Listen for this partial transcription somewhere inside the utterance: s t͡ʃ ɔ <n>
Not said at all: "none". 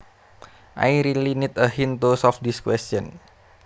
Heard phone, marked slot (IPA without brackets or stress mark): n